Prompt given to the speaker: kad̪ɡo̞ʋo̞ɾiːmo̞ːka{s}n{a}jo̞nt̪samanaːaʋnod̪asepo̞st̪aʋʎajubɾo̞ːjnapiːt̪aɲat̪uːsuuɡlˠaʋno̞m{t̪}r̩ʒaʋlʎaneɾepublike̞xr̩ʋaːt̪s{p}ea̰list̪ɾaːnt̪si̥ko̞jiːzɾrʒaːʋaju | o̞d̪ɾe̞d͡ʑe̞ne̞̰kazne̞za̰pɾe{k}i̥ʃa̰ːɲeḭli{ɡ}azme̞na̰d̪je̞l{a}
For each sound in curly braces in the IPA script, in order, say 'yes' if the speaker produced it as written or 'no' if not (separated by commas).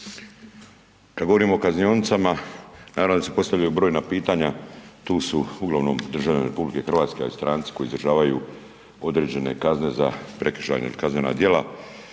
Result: no, no, no, no, yes, no, yes